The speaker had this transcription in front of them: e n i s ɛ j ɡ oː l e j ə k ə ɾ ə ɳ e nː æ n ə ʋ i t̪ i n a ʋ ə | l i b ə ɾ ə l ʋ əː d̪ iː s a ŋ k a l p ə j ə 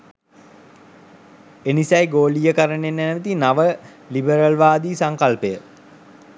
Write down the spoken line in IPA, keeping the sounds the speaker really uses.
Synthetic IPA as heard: e n i s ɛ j ɡ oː l i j ə k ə ɾ ə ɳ e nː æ n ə ʋ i t̪ i n a ʋ ə | l i b ə ɾ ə l ʋ aː d̪ iː s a ŋ k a l p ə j ə